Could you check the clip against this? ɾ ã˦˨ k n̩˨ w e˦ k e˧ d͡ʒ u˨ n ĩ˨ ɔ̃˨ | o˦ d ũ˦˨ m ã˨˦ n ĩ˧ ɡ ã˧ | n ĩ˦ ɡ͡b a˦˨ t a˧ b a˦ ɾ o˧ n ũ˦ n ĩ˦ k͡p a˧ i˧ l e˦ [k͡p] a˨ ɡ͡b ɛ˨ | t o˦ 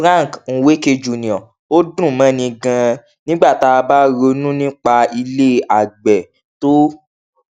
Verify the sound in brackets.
incorrect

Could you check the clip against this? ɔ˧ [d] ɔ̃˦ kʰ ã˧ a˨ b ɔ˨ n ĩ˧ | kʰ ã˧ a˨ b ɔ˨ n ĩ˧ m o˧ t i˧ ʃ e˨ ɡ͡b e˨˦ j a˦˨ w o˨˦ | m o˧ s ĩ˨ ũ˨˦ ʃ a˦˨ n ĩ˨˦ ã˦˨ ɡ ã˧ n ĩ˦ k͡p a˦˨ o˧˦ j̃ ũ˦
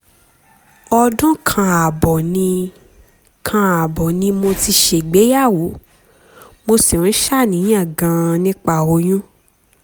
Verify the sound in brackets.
correct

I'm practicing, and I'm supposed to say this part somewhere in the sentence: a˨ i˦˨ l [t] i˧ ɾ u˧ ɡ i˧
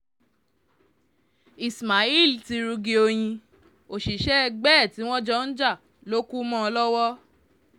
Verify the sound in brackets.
correct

